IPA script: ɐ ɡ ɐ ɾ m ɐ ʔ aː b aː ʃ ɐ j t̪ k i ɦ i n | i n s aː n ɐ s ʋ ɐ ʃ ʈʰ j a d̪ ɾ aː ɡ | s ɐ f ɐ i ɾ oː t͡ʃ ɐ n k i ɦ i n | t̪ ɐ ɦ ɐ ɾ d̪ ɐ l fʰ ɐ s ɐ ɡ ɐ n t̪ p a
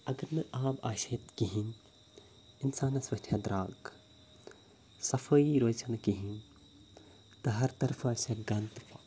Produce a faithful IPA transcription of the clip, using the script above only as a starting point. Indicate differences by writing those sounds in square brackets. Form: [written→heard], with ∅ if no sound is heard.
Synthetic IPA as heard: ɐ ɡ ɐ ɾ m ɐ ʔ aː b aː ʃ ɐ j t̪ k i ɦ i n | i n s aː n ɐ s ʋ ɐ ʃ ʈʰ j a d̪ ɾ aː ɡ | s ɐ f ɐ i ɾ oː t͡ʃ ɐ n k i ɦ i n | t̪ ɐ ɦ ɐ ɾ [d̪→t̪] ɐ [l→ɾ] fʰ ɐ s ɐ ɡ ɐ n t̪ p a